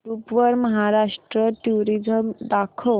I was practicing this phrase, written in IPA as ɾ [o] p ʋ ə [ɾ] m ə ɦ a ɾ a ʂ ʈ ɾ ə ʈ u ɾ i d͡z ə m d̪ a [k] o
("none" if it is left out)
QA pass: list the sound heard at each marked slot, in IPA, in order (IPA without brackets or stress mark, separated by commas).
u, ɾ, kʰ